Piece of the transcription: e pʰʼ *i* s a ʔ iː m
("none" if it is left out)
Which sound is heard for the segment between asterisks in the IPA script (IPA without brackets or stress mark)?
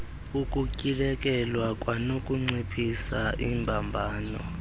i